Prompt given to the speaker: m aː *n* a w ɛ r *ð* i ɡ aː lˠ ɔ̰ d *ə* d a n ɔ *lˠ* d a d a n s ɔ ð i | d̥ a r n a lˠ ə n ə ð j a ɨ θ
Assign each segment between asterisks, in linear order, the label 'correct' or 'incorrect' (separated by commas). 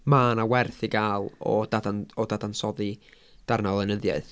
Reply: correct, incorrect, incorrect, incorrect